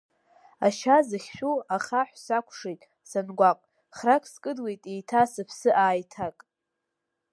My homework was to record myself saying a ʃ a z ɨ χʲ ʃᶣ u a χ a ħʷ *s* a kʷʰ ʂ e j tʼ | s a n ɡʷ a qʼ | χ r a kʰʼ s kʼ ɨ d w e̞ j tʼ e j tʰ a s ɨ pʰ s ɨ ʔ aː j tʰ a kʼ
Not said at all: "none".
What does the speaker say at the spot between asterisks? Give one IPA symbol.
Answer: s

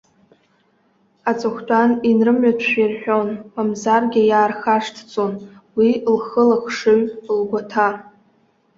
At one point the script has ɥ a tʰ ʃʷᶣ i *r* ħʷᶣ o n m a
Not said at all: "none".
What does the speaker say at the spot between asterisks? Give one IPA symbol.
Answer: r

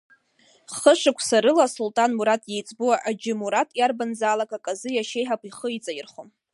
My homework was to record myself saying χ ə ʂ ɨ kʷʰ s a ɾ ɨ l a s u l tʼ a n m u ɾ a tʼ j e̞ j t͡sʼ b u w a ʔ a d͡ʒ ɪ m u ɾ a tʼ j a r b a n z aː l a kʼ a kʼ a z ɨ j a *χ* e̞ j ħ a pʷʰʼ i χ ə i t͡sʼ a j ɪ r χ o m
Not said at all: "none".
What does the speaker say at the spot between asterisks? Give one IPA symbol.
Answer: ʃ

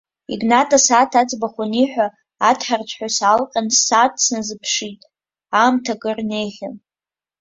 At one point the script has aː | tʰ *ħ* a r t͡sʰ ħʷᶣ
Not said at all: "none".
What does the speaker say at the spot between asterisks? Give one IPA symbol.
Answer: ħ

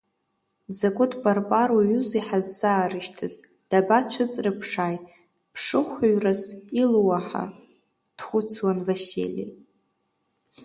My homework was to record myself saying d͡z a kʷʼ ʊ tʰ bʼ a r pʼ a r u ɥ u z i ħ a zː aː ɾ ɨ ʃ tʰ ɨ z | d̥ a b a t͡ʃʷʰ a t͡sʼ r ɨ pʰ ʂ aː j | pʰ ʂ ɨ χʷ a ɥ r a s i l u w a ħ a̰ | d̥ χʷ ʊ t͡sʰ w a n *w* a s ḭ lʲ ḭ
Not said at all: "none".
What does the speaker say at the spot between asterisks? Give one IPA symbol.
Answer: v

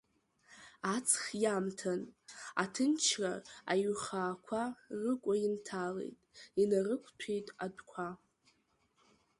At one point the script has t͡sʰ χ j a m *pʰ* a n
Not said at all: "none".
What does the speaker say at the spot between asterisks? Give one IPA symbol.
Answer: tʰ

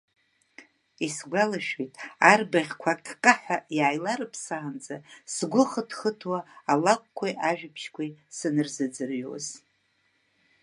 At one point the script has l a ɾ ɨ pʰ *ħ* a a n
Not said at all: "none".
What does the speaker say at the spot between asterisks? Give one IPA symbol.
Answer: s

